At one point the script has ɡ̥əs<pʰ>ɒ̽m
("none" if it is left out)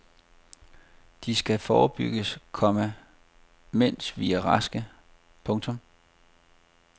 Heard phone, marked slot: kʰ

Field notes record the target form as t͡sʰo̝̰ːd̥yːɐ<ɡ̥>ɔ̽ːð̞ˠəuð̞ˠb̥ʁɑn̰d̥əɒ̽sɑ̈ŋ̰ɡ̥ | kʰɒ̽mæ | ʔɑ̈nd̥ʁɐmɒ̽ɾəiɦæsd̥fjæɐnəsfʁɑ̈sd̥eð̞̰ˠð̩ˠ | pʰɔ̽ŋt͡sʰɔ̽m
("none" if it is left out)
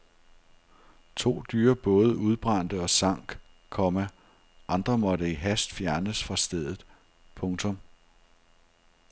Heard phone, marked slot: b̥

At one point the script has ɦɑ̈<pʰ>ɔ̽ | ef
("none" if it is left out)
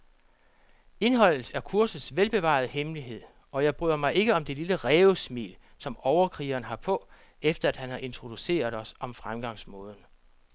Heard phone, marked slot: pʰ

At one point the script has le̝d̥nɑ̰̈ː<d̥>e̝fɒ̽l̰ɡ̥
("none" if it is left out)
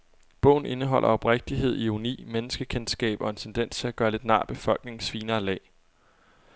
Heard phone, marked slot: b̥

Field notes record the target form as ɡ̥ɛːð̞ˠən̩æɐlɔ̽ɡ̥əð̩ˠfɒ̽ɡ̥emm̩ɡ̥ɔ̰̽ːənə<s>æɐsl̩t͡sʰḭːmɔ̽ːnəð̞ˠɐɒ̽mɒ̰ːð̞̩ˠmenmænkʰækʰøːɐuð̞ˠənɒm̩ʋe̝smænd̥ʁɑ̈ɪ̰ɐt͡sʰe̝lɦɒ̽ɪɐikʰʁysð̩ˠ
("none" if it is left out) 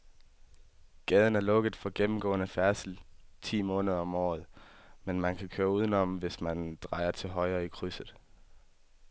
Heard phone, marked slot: f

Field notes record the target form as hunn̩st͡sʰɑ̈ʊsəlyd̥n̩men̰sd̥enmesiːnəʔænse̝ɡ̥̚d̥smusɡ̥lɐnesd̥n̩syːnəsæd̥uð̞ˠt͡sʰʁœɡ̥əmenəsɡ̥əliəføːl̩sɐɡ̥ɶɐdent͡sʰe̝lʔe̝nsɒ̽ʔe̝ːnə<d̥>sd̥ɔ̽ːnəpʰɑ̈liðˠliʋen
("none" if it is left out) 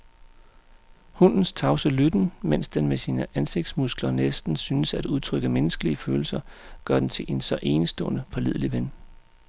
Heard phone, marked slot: none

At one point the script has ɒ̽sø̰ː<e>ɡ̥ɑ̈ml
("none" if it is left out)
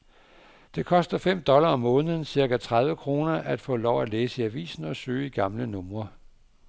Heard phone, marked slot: i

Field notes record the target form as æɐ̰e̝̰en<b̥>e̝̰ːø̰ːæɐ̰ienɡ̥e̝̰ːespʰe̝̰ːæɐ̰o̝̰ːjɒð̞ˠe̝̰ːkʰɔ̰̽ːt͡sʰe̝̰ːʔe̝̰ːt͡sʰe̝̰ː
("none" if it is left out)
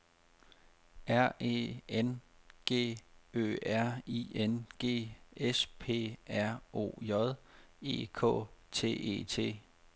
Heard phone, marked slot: ɡ̥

